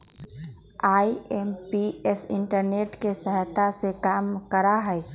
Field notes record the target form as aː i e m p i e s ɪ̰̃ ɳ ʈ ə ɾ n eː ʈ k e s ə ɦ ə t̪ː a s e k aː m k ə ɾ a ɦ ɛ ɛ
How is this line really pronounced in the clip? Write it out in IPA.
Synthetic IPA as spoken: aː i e m p i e s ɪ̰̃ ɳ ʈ ə ɾ n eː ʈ k e s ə ɦ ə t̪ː a s e k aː m k ə ɾ a ɦ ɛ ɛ